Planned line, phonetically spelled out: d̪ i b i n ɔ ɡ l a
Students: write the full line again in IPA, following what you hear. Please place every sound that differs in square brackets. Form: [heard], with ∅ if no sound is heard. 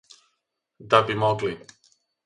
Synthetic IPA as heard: d̪ [a] b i [m] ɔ ɡ l [i]